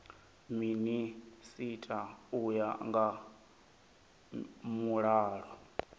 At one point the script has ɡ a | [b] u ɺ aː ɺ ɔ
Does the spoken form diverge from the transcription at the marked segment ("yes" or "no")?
yes